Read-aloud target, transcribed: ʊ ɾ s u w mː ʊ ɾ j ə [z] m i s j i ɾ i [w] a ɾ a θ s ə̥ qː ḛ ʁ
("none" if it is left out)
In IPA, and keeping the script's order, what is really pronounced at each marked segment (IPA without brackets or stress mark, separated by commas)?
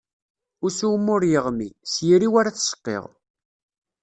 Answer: ʁ, w